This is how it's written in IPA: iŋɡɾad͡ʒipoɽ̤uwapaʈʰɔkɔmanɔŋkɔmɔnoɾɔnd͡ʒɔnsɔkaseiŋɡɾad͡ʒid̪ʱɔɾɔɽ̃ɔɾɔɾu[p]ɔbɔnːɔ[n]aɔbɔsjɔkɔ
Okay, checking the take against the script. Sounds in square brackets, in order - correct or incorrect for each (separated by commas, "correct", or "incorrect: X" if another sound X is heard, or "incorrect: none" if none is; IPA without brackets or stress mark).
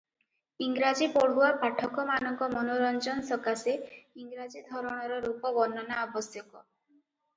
correct, correct